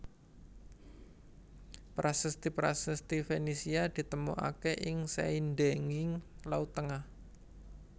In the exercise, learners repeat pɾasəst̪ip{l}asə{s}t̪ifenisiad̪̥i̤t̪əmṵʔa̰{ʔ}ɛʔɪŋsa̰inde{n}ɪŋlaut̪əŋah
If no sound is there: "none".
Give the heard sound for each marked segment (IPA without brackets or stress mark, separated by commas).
ɾ, s, k, ŋ